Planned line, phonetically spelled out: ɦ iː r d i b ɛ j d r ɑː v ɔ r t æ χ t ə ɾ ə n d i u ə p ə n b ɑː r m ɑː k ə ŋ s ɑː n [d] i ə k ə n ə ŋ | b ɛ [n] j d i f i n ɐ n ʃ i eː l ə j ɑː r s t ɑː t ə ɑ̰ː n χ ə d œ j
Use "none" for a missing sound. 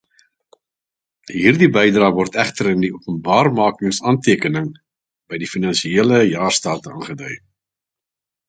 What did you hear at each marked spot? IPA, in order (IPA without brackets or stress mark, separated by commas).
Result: t, none